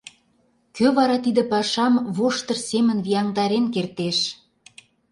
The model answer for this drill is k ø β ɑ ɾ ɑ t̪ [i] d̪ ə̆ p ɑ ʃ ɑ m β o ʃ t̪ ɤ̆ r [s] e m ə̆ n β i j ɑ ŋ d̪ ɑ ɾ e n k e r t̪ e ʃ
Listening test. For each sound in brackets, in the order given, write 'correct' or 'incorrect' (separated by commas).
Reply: correct, correct